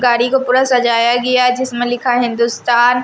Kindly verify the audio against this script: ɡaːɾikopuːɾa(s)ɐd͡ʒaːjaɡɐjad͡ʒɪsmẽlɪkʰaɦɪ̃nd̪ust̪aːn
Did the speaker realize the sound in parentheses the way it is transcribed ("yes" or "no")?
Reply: yes